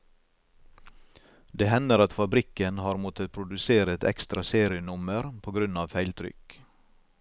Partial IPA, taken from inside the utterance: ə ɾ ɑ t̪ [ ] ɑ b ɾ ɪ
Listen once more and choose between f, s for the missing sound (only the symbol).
f